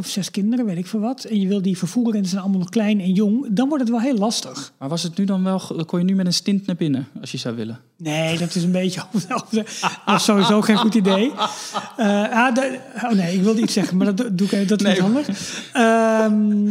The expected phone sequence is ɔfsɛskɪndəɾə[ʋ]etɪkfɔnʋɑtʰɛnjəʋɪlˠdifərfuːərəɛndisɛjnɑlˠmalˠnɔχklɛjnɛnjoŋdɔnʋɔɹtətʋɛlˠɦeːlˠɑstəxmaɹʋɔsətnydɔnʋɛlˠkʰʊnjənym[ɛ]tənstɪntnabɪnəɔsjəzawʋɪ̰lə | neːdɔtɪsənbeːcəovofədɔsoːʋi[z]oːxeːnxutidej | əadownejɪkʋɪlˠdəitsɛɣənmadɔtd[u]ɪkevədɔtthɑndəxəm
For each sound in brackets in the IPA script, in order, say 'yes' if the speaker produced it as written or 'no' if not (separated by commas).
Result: yes, yes, yes, yes